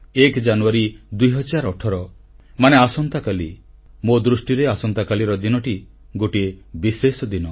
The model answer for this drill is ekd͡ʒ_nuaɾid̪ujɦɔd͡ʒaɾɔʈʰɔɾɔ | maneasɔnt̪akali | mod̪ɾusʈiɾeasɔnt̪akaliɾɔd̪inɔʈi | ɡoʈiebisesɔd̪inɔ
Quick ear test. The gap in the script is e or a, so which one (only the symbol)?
a